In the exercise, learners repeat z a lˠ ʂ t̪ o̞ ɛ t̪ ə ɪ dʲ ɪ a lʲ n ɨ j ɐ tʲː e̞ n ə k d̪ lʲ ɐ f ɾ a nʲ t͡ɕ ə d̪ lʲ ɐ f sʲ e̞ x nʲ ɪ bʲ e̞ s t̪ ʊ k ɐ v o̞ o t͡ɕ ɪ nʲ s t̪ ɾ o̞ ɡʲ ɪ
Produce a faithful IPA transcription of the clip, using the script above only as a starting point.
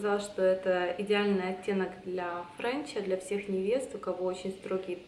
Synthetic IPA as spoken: z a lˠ ʂ t̪ o̞ ɛ t̪ ə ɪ dʲ ɪ a lʲ n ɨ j ɐ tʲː e̞ n ə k d̪ lʲ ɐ f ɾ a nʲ t͡ɕ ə d̪ lʲ ɐ f sʲ e̞ x nʲ ɪ vʲ e̞ s t̪ ʊ k ɐ v o̞ o t͡ɕ ɪ nʲ s t̪ ɾ o̞ ɡʲ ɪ

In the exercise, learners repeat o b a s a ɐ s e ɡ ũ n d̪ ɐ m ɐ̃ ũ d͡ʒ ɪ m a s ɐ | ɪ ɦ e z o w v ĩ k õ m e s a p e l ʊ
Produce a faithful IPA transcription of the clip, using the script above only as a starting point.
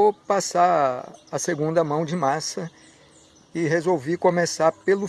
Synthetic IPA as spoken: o p a s a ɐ s e ɡ ũ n d̪ ɐ m ɐ̃ w̃ d͡ʒ ɪ m a s ɐ | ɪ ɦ e z o w v i k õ m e s a p e l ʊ

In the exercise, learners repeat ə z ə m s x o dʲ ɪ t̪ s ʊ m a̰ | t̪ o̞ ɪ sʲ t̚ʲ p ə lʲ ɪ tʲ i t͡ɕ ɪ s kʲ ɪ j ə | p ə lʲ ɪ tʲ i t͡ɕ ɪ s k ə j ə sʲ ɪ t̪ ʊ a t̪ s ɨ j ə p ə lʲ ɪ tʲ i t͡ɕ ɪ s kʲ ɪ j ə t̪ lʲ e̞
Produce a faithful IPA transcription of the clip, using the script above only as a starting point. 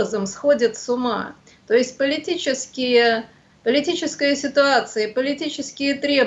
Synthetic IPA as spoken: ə z ə m s x o dʲ ɪ t̪ s ʊ m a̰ | t̪ o̞ ɪ sʲ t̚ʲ p ə lʲ ɪ tʲ i t͡ɕ ɪ s kʲ ɪ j ə | p ə lʲ ɪ tʲ i t͡ɕ ɪ s k ə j ə sʲ ɪ t̪ ʊ a t̪ s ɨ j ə p ə lʲ ɪ tʲ i t͡ɕ ɪ s kʲ ɪ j ə t̪ ɾʲ e̞

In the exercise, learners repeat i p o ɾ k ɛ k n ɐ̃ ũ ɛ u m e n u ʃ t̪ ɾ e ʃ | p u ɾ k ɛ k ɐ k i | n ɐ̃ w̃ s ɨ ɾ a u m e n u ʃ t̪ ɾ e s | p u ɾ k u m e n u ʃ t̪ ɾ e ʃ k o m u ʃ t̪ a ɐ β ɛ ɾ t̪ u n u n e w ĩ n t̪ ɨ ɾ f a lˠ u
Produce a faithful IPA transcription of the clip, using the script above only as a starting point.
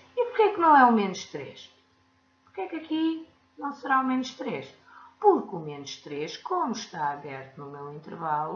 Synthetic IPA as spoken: i p u ɾ k ɛ k n ɐ̃ w̃ ɛ u m e n u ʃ t̪ ɾ e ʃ | p u ɾ k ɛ k ɐ k i | n ɐ̃ w̃ s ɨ ɾ a u m e n u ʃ t̪ ɾ e ʃ | p u ɾ k u m e n u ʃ t̪ ɾ e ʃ k o m u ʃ t̪ a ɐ β ɛ ɾ t̪ u n u m e w ĩ n t̪ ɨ ɾ v a lˠ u

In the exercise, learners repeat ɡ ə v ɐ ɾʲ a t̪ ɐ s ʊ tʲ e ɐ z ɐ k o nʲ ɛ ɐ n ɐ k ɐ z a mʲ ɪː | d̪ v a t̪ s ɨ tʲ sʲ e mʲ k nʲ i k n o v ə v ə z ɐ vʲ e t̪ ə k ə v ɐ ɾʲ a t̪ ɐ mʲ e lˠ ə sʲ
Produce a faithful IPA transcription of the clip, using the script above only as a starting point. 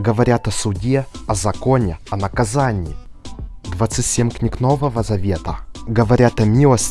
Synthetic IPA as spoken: ɡ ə v ɐ ɾʲ a t̪ ɐ s ʊ dʲ e ɐ z ɐ k o nʲ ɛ ɐ n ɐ k ɐ z a nʲ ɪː | d̪ v a t̪ s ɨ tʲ sʲ e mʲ k nʲ i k n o v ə v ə z ɐ vʲ e t̪ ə ɡ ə v ɐ ɾʲ a t̪ ɐ mʲ i lˠ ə sʲ

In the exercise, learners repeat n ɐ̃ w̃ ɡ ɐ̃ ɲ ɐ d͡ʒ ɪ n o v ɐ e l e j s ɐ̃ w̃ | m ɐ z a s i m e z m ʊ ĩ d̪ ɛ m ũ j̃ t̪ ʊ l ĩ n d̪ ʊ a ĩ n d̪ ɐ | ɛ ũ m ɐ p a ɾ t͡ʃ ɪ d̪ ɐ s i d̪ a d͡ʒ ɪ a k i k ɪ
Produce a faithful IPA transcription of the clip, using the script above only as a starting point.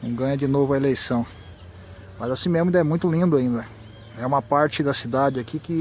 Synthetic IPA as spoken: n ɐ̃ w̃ ɡ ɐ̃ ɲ ɐ d͡ʒ ɪ n o v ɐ e l e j s ɐ̃ w̃ | m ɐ z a s ĩ m e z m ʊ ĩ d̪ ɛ m ũ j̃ t̪ ʊ l ĩ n d̪ ʊ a ĩ n d̪ ɐ | ɛ ũ m ɐ p a ɾ t͡ʃ ɪ d̪ ɐ s i d̪ a d͡ʒ ɪ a k i k ɪ

